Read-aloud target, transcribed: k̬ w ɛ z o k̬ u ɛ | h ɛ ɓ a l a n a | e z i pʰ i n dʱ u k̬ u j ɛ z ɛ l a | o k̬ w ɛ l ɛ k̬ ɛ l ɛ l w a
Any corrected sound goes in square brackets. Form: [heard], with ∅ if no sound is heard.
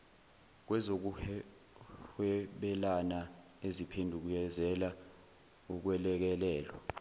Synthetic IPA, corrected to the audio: k̬ w ɛ z o k̬ u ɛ | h ɛ ɓ [ɛ] l a n a | e z i pʰ [e] n dʱ u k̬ u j ɛ z ɛ l a | [u] k̬ w ɛ l ɛ k̬ ɛ l [ɛː] l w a